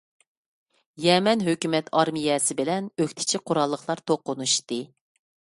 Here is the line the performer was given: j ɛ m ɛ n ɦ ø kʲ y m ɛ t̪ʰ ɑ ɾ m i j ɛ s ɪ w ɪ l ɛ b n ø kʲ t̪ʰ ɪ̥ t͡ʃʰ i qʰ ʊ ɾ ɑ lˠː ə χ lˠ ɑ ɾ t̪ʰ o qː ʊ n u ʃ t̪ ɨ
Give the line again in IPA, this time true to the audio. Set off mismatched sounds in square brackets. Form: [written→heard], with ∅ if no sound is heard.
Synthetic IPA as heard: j ɛ m ɛ n ɦ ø kʲ y m ɛ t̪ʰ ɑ ɾ m i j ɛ s ɪ [w→b] ɪ l ɛ [b→∅] n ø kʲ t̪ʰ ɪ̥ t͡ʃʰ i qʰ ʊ ɾ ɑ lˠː ə χ lˠ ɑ ɾ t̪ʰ o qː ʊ n u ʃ t̪ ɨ